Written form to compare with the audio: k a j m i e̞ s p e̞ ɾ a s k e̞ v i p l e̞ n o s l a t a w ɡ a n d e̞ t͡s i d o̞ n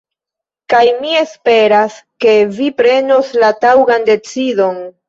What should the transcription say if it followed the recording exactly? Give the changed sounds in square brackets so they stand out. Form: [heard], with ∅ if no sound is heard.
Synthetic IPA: k a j m i e̞ s p e̞ ɾ a s k e̞ v i p [ɾ] e̞ n o s l a t a w ɡ a n d e̞ t͡s i d o̞ n